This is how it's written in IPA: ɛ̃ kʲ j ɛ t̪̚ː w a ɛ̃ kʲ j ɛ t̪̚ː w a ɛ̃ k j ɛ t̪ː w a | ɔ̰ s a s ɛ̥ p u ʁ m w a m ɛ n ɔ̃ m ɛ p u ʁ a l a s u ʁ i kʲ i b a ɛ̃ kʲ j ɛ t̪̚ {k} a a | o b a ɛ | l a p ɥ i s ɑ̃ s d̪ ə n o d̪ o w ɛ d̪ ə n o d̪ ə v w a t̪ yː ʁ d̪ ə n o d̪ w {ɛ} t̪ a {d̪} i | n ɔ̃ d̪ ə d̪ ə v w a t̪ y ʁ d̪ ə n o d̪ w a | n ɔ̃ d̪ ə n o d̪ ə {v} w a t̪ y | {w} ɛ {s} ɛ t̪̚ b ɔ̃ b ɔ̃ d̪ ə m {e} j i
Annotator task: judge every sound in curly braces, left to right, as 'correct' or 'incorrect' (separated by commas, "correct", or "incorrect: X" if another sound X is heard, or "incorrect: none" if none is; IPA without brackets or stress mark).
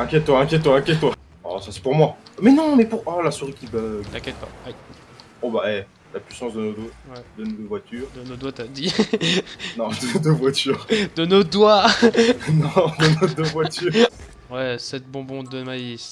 incorrect: p, incorrect: a, correct, correct, correct, correct, incorrect: a